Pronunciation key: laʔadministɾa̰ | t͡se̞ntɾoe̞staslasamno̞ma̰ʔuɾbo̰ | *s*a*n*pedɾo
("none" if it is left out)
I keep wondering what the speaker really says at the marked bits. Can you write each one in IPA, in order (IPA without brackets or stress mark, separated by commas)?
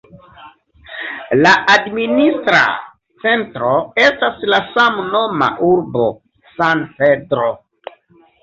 s, n